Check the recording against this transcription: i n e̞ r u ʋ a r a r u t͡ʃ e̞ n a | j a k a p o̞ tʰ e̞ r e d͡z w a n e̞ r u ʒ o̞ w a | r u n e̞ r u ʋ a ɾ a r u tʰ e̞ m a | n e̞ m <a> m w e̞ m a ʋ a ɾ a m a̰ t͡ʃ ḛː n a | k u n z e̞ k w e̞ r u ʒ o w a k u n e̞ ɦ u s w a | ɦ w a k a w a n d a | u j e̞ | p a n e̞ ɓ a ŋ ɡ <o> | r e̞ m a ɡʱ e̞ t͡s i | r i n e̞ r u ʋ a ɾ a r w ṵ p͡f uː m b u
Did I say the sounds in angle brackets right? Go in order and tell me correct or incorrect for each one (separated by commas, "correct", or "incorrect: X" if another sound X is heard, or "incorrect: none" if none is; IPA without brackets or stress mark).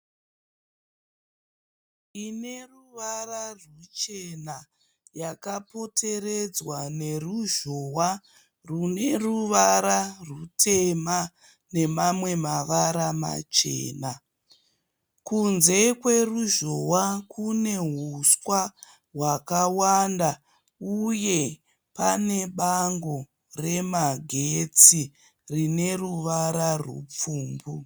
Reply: correct, correct